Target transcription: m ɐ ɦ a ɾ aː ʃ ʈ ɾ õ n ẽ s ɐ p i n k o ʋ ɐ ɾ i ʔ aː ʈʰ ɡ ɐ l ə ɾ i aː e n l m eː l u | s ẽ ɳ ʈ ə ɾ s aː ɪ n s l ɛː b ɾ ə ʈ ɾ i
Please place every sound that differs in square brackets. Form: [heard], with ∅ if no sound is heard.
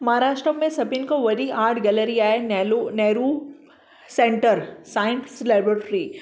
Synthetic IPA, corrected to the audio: m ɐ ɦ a ɾ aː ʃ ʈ ɾ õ [m] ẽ s ɐ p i n k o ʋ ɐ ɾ i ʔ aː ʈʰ ɡ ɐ l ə ɾ i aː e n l [n] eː [ɾ] u | s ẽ ɳ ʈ ə ɾ s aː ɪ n s l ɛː b ɾ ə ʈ ɾ i